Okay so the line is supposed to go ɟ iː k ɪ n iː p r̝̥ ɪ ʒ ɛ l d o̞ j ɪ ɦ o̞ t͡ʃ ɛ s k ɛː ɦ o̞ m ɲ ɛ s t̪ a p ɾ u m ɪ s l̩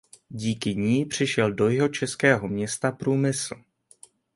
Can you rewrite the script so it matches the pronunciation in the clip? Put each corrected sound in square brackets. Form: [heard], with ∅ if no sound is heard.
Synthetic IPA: ɟ iː k ɪ [ɲ] iː p r̝̥ ɪ [ʃ] ɛ l d o̞ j ɪ ɦ o̞ t͡ʃ ɛ s k ɛː ɦ o̞ m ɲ ɛ s t̪ a p ɾ [uː] m ɪ s l̩

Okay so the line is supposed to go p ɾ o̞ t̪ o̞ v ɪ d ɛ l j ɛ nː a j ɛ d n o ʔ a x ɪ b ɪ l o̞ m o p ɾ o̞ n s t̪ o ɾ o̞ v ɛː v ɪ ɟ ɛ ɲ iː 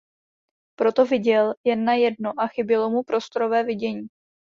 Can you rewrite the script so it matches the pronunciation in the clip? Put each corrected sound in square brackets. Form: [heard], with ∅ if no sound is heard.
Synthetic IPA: p ɾ o̞ t̪ o̞ v ɪ [ɟ] ɛ l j ɛ nː a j ɛ d n o ʔ a x ɪ b ɪ l o̞ m [u] p ɾ o̞ [∅] s t̪ o ɾ o̞ v ɛː v ɪ ɟ ɛ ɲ iː

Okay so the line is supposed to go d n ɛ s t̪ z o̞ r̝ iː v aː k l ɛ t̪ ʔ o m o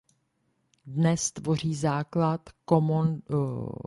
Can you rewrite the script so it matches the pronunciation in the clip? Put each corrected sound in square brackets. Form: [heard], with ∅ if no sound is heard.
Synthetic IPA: d n ɛ s t̪ [v] o̞ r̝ iː [z] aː k l [a] t̪ [k] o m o

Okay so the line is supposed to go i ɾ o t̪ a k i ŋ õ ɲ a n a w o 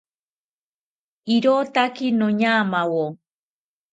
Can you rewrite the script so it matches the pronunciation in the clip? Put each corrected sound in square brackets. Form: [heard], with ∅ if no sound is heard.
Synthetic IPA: i ɾ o t̪ a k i [n] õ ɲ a [m] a w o

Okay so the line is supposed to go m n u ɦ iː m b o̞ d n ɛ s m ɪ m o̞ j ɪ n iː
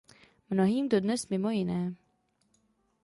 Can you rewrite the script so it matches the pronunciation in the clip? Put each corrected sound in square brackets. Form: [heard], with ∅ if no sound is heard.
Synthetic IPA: m n [o] ɦ iː m [d] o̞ d n ɛ s m ɪ m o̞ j ɪ n [ɛː]

